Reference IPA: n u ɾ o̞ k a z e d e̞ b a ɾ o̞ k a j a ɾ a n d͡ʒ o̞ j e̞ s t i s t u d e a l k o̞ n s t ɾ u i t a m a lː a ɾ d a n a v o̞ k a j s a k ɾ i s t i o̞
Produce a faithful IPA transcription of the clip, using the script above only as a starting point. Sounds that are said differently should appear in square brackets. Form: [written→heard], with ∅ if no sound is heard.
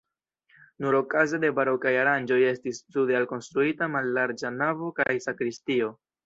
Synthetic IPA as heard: n u ɾ o̞ k a z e d e̞ b a ɾ o̞ k a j a ɾ a n d͡ʒ o̞ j e̞ s t i s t u d e a l k o̞ n s t ɾ u i t a m a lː a ɾ [d→d͡ʒ] a n a v o̞ k a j s a k ɾ i s t i o̞